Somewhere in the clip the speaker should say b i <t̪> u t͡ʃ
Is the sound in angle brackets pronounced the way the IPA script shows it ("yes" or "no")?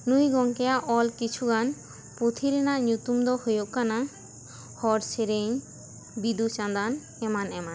no